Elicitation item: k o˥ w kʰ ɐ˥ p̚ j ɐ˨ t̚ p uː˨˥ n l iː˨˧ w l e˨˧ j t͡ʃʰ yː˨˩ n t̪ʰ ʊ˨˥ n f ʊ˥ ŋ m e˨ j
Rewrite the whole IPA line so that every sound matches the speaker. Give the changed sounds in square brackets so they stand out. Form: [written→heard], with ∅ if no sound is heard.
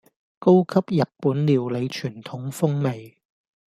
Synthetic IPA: k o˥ w kʰ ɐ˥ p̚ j ɐ˨ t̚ p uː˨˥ n l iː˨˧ w l e˨˧ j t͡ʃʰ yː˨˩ n t̪ʰ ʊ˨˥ [n→ŋ] f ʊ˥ ŋ m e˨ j